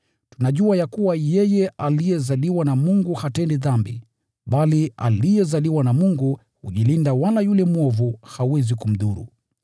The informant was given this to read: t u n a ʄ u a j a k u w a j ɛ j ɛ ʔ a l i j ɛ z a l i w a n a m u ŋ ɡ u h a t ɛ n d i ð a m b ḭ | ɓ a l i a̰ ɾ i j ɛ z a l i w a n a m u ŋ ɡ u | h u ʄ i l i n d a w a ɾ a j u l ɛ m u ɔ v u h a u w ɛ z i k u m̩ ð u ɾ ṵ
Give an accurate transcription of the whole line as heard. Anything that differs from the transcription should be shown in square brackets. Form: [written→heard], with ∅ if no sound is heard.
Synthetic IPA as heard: t u n a ʄ u a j a k u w a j ɛ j ɛ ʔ a l i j ɛ z a l i w a n a m u ŋ ɡ u h a t ɛ n d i ð a m b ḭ | ɓ a l i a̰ [ɾ→l] i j ɛ z a l i w a n a m u ŋ ɡ u | h u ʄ i l i n d a w a [ɾ→l] a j u l ɛ m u ɔ v u h a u w ɛ z i k u m̩ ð u ɾ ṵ